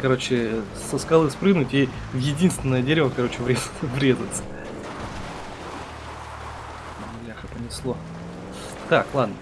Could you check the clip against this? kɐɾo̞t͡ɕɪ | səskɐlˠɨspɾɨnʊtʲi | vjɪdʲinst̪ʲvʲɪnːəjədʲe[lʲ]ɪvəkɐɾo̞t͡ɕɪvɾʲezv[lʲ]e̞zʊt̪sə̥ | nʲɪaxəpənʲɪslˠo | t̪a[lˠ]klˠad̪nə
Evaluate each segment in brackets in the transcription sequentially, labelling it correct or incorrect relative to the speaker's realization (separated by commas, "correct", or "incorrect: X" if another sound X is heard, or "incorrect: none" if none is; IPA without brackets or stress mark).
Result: incorrect: ɾʲ, incorrect: ɾʲ, incorrect: none